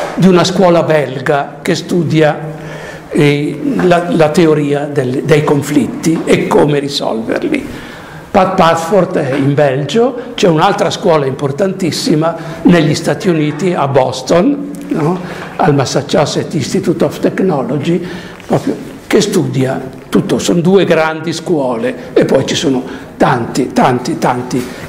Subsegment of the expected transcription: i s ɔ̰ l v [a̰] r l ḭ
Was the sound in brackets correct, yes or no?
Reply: no